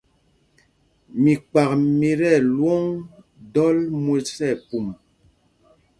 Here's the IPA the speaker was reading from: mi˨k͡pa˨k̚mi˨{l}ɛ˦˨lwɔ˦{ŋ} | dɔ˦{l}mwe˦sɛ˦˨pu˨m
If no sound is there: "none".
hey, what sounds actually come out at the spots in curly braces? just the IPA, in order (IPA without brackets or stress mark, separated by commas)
ɾ, ŋ, l